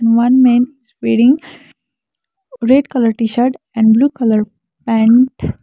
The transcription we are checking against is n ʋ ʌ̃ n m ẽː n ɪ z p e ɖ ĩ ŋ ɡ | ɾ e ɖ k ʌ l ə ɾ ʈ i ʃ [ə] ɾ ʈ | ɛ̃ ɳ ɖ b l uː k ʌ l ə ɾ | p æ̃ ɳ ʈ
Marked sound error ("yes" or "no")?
no